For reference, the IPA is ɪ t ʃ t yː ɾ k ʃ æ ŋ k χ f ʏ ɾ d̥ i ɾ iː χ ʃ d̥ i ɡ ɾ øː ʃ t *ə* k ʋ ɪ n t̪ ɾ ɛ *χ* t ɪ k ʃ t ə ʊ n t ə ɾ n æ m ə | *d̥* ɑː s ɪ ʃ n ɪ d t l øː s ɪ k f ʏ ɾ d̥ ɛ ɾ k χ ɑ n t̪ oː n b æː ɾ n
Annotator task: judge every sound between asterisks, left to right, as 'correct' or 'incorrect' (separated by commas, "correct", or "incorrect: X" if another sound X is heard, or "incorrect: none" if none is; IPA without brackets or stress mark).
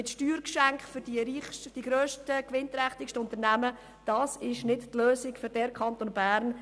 correct, correct, correct